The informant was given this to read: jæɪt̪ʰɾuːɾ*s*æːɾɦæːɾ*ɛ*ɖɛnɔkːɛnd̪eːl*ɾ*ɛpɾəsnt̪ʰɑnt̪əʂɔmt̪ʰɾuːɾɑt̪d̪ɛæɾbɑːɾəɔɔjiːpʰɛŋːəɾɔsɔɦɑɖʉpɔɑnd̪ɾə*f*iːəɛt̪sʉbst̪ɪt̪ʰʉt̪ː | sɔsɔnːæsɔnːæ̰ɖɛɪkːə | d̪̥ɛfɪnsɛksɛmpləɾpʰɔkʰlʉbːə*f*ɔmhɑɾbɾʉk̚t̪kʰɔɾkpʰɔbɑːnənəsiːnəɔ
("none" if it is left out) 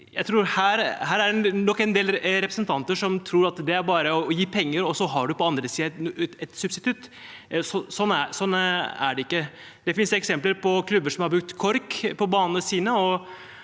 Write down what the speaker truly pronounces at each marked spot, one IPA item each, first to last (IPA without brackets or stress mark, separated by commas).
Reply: h, æ, ɾ, s, ʂ